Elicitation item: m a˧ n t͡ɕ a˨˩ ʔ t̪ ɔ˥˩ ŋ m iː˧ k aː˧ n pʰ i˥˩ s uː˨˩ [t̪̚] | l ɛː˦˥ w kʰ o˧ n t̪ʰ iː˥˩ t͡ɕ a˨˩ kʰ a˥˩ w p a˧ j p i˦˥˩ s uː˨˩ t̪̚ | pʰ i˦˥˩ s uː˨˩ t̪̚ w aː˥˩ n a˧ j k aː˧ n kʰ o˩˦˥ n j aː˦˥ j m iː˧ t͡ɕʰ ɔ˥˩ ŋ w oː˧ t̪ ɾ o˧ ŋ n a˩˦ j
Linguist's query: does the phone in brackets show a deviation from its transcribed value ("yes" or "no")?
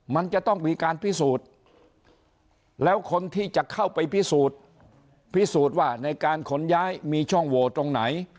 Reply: no